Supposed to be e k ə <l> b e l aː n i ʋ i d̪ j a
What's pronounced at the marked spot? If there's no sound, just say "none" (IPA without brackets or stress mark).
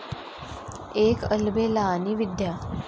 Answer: l